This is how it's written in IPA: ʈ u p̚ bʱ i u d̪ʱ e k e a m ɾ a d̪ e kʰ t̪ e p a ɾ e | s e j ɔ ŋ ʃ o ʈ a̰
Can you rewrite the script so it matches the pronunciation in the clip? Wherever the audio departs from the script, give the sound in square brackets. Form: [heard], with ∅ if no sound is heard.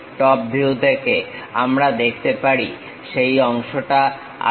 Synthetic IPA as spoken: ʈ [ɔ] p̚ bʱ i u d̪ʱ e k e a m ɾ a d̪ e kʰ t̪ e p a ɾ [i] | [ʃ] e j ɔ ŋ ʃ o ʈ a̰